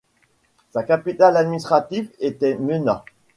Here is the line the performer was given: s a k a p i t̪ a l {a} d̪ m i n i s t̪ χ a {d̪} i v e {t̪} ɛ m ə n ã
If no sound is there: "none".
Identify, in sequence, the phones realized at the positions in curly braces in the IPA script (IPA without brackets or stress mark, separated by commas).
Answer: a, t̪, t̪